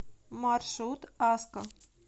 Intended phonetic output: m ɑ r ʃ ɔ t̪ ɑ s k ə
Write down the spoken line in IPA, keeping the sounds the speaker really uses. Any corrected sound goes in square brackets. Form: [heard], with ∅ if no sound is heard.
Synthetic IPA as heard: m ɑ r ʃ [u] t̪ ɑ s k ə